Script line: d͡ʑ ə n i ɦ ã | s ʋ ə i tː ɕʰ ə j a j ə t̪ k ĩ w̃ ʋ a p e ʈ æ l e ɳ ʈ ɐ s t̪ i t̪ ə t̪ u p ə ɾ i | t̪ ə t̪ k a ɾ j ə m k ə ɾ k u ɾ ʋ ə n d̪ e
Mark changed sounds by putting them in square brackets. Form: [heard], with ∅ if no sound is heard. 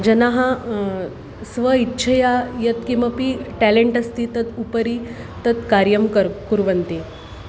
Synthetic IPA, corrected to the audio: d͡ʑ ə n [a] ɦ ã | s ʋ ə i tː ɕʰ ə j a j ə t̪ k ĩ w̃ ʋ a p [i] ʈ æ l e ɳ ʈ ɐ s t̪ i t̪ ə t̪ u p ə ɾ i | t̪ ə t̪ k a ɾ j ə m k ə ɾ k u ɾ ʋ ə n [t̪] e